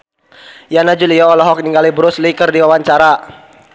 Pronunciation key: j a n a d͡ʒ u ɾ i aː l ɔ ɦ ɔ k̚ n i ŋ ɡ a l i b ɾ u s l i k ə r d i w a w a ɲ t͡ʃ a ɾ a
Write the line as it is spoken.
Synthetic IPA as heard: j a n a d͡ʒ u l i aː l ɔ ɦ ɔ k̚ n i ŋ ɡ a l i b ɾ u s l i k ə r d i w a w a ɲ t͡ʃ a ɾ a